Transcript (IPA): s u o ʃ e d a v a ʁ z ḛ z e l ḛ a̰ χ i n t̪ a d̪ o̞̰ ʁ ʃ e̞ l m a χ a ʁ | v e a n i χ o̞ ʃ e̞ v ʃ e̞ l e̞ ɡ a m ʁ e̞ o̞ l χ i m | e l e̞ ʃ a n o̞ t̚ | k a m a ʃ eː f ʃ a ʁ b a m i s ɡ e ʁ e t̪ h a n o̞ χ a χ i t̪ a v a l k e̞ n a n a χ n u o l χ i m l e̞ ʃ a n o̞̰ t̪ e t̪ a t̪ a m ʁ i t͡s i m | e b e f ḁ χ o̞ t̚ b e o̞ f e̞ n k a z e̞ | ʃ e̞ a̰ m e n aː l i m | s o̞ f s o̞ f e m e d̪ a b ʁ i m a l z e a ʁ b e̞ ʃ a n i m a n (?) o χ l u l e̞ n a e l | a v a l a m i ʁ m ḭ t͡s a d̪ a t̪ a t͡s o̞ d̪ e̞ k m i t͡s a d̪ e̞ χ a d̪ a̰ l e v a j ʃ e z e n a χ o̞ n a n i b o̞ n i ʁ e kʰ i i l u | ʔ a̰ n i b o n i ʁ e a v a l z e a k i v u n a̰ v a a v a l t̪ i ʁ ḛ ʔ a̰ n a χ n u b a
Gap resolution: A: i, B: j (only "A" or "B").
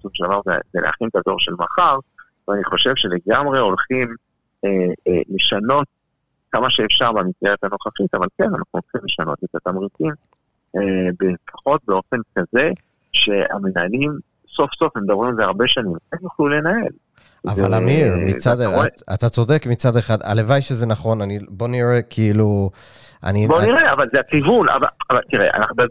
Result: B